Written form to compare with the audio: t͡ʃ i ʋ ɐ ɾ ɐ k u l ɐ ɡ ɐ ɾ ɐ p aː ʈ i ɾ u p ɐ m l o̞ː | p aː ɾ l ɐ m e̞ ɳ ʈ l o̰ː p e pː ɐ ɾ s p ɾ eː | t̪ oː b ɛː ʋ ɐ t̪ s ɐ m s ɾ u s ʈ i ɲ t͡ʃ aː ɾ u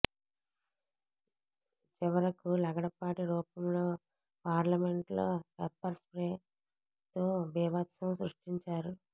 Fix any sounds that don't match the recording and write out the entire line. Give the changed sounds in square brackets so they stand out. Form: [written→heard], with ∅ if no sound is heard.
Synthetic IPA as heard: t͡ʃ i ʋ ɐ ɾ ɐ k u l ɐ ɡ ɐ [ɾ→ɽ] ɐ p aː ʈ i ɾ [u→uː] p ɐ m l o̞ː | p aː ɾ l ɐ m e̞ ɳ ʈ l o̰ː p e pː ɐ ɾ s p ɾ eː | t̪ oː b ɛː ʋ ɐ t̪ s ɐ m s ɾ u [s→ʂ] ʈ i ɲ t͡ʃ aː ɾ u